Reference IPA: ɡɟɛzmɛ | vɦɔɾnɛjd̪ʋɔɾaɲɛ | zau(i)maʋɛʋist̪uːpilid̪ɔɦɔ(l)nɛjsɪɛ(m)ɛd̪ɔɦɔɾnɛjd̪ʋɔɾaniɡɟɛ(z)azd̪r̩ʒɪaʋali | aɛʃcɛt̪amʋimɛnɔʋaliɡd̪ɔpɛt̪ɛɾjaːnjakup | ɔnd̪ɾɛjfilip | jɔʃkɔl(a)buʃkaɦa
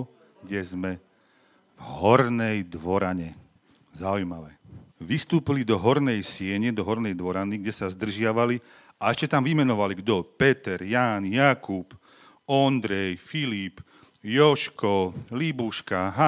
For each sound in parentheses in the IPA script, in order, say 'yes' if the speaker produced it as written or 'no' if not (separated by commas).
no, no, no, no, no